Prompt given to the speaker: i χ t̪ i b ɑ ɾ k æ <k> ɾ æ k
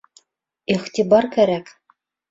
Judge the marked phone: incorrect: none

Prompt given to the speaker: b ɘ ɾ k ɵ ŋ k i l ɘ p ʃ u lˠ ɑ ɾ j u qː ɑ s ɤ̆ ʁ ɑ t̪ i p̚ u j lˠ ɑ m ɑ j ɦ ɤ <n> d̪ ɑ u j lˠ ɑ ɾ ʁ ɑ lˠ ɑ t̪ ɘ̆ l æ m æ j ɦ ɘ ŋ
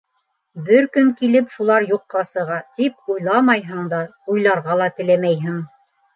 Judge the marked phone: incorrect: ɴ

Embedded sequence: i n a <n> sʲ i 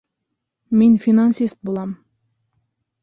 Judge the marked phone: correct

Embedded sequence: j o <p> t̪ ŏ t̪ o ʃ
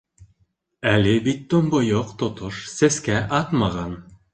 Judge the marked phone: incorrect: q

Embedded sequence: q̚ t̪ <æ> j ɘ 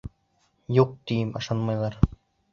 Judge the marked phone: incorrect: i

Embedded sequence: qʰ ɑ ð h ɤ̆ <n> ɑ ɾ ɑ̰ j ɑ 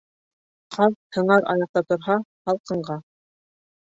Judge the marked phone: incorrect: ɴ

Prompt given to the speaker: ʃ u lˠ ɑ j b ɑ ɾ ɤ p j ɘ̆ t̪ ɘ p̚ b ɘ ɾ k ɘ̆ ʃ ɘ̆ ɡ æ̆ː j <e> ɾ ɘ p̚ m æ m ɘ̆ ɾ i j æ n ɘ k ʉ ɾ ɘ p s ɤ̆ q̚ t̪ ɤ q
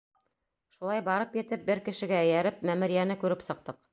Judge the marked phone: incorrect: æ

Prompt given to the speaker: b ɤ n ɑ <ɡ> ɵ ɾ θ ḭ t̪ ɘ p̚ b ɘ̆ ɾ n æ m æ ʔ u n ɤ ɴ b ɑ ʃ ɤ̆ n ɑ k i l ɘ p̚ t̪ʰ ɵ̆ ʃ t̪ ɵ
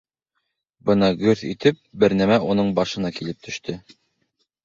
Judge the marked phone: correct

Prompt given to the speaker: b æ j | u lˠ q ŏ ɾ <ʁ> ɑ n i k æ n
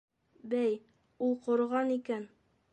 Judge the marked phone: correct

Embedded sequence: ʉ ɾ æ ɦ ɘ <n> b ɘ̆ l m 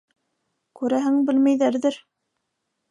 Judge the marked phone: incorrect: ŋ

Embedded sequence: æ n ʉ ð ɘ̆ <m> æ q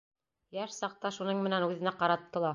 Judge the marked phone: incorrect: n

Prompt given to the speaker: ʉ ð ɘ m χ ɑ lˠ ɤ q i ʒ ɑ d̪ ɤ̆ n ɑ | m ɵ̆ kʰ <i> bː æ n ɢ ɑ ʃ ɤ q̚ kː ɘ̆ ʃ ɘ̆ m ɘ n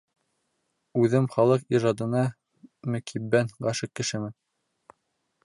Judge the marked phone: correct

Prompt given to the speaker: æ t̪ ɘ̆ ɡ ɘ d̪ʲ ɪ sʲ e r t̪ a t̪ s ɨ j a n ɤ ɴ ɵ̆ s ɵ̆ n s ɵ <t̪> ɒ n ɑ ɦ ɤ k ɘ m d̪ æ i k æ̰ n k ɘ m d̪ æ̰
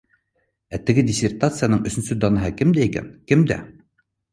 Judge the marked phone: incorrect: d̪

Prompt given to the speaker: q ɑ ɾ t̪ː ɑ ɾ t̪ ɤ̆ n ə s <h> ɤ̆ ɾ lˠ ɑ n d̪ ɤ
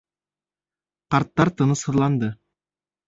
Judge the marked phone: correct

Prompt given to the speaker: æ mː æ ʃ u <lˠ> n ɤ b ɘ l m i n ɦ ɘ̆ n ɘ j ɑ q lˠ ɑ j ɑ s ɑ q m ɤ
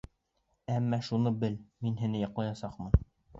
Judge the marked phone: incorrect: none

